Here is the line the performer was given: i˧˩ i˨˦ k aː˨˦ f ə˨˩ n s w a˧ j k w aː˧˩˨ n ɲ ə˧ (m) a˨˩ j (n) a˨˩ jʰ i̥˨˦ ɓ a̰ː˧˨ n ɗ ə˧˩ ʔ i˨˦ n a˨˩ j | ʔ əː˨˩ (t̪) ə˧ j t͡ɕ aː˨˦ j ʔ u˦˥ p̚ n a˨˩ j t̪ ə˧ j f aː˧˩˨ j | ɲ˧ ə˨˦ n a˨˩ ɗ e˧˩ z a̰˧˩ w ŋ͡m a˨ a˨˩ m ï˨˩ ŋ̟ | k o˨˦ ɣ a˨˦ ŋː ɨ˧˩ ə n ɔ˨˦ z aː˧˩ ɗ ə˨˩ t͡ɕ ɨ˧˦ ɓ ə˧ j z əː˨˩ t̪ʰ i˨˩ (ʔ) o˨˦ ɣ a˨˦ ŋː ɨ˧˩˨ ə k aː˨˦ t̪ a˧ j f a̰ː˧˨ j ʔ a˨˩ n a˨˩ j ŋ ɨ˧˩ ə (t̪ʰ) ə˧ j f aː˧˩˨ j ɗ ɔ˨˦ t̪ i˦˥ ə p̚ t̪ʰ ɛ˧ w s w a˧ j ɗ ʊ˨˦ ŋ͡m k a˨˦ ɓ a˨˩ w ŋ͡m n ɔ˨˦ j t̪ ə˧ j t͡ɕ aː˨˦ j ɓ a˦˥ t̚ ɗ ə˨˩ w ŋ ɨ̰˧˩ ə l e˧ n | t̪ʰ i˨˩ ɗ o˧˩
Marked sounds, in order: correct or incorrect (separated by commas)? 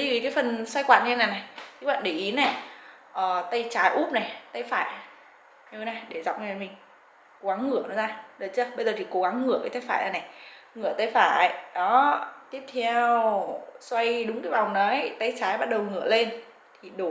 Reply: incorrect, correct, correct, incorrect, incorrect